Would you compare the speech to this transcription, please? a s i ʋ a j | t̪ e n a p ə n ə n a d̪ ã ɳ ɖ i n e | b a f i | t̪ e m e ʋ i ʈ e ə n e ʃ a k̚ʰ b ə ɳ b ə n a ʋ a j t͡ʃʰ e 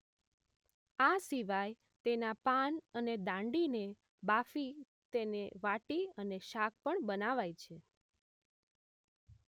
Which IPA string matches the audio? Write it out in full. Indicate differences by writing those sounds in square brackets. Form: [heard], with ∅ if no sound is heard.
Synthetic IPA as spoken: a s i ʋ a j | t̪ e n a p [a] n ə n [e] d̪ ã ɳ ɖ i n e | b a f i | t̪ e [n] e ʋ [a] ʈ [i] ə n e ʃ a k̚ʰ [p] ə ɳ b ə n a ʋ a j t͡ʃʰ e